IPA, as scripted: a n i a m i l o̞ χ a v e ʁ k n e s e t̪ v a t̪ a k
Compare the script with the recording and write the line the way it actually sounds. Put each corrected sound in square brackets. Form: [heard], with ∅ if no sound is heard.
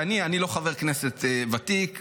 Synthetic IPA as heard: a n i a [n] i l o̞ χ a v e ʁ k n e s e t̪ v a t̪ [i] k